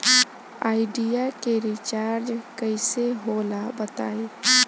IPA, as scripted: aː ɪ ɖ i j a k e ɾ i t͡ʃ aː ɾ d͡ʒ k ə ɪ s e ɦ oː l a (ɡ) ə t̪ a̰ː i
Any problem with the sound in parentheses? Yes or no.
yes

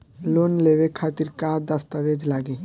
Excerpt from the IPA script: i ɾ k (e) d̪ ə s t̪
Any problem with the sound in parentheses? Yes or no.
yes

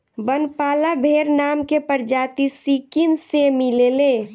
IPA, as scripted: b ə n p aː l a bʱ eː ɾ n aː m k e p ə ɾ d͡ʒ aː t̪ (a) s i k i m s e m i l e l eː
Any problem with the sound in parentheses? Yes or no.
yes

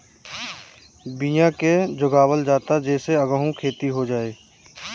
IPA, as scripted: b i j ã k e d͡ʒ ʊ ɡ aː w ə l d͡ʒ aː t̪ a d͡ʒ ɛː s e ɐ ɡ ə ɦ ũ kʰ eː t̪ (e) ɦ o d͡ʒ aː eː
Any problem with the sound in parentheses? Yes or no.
yes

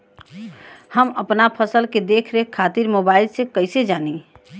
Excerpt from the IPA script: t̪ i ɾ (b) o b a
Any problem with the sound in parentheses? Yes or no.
yes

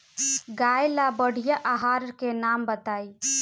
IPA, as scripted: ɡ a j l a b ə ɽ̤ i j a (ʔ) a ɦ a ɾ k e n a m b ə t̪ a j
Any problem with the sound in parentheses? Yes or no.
no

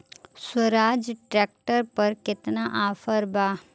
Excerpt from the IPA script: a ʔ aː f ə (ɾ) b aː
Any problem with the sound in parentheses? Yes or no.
no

